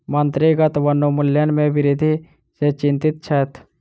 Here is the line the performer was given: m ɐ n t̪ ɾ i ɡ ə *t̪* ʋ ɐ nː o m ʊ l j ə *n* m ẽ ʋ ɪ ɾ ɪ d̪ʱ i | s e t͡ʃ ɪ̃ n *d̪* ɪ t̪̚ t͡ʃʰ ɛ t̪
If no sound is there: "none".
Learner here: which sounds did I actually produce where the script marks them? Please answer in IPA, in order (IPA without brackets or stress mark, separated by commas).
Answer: t̪, n, t̪